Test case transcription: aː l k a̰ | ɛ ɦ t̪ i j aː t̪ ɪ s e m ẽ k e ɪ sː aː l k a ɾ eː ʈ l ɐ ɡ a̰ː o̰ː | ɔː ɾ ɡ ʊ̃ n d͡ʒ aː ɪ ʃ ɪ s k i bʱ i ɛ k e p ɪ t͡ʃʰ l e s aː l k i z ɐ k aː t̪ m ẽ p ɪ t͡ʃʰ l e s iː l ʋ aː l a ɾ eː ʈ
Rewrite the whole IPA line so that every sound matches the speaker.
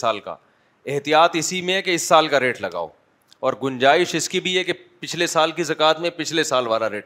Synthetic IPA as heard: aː l k a̰ | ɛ ɦ t̪ i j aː t̪ ɪ s i m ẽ k e ɪ sː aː l k a ɾ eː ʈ l ɐ ɡ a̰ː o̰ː | ɔː ɾ ɡ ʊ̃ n d͡ʒ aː ɪ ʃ ɪ s k i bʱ i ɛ k e p ɪ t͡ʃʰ l e s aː l k i z ɐ k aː t̪ m ẽ p ɪ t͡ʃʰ l e s aː l ʋ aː l a ɾ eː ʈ